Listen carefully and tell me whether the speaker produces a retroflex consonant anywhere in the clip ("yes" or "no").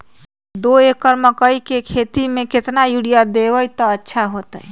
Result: yes